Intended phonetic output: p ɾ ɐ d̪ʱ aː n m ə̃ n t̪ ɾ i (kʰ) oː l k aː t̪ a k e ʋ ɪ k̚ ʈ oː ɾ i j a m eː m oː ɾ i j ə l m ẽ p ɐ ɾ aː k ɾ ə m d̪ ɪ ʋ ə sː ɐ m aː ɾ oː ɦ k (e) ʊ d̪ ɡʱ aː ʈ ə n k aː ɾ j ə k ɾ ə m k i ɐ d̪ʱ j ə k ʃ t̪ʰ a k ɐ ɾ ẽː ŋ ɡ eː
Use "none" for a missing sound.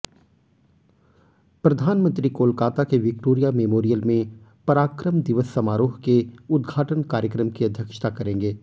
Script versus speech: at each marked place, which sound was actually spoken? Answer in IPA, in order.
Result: k, e

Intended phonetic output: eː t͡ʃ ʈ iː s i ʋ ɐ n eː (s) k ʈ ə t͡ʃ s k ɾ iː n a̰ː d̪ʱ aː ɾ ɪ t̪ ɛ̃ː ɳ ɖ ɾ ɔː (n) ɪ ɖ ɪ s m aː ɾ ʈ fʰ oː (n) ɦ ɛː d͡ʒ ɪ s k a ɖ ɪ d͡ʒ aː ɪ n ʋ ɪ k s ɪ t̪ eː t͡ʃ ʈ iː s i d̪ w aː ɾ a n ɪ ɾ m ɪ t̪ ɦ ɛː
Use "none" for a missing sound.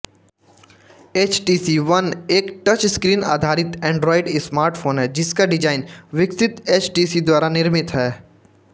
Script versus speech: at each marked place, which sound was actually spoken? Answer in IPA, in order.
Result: none, none, n

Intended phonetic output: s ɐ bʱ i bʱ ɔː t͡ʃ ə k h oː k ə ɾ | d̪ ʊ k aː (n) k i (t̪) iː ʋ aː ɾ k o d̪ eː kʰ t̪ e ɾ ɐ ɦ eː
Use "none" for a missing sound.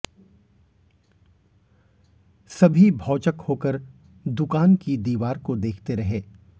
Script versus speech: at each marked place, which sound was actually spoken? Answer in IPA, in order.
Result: n, d̪

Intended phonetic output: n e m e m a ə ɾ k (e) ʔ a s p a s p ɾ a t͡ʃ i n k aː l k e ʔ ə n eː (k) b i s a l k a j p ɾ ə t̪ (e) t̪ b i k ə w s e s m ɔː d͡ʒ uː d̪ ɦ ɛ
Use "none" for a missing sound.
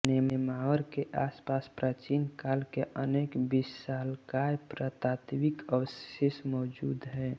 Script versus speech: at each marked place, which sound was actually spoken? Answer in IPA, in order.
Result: e, k, a

